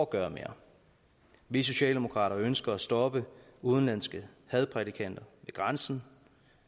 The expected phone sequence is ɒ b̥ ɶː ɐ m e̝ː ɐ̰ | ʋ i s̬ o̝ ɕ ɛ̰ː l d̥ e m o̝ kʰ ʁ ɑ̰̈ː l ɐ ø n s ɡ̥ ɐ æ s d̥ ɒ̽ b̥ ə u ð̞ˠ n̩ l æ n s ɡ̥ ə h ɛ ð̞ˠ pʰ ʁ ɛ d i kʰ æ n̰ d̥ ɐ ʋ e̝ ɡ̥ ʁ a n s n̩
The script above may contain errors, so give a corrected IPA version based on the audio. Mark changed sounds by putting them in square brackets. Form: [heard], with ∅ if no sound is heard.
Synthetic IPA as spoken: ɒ [ɡ̥] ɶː ɐ m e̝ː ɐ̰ | ʋ i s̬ o̝ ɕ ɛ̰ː l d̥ e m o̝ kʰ ʁ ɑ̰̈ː [ɾ] ɐ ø n s ɡ̥ ɐ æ s d̥ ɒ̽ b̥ ə u ð̞ˠ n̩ l æ n s ɡ̥ ə h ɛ ð̞ˠ pʰ ʁ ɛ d i kʰ æ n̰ d̥ ɐ ʋ e̝ ɡ̥ ʁ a n s n̩